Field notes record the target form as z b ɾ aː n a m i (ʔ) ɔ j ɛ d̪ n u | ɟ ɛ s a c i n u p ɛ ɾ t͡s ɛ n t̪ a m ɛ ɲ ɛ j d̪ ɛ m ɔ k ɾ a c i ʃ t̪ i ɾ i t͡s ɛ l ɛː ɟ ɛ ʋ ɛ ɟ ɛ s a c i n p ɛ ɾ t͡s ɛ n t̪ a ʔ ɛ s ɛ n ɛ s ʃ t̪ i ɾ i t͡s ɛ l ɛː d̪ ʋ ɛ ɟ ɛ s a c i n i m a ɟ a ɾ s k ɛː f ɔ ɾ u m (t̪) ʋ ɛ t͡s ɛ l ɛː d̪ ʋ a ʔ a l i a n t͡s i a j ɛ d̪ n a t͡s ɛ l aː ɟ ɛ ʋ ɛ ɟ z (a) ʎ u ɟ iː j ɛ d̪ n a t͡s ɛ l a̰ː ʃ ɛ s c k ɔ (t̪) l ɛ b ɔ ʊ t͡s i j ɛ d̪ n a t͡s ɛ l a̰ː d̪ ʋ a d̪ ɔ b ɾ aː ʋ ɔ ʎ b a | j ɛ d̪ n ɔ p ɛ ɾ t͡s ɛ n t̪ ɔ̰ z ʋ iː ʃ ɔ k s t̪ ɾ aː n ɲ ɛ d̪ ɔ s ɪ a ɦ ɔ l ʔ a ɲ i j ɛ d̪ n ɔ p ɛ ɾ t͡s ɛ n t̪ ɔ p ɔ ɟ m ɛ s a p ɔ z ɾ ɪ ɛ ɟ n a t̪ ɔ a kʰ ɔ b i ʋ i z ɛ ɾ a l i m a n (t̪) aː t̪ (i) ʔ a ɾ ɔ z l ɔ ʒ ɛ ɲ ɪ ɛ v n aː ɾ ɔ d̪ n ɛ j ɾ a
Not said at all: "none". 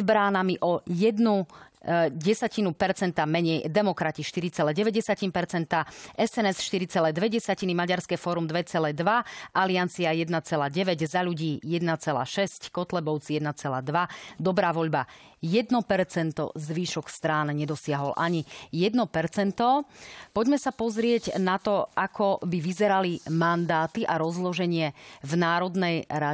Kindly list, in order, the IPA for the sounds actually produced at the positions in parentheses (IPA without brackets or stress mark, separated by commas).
ʔ, d̪, a, t̪, d̪, i